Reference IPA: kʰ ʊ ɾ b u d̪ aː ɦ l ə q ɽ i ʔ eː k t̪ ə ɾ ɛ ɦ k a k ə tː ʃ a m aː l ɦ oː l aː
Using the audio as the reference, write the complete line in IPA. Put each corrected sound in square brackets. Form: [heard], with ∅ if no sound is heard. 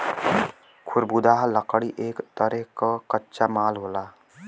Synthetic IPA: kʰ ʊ ɾ b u d̪ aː ɦ l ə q ɽ i ʔ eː k t̪ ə ɾ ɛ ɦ k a k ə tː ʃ a m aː l ɦ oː l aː